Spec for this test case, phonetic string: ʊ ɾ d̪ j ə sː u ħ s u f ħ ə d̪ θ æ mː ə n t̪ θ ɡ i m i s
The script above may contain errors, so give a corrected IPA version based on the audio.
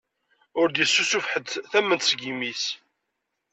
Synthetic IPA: ʊ ɾ d̪ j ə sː u s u f ħ ə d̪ θ æ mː ə n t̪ s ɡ i m i s